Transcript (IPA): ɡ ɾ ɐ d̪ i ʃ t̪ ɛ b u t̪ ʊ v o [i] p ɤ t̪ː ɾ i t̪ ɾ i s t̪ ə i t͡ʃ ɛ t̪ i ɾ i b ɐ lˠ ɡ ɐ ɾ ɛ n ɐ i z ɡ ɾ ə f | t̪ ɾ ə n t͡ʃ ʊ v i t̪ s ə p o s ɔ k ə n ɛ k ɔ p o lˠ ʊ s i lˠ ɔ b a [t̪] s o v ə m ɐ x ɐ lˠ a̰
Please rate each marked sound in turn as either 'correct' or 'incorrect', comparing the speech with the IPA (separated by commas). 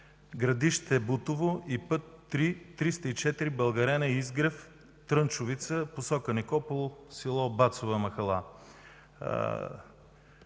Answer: correct, correct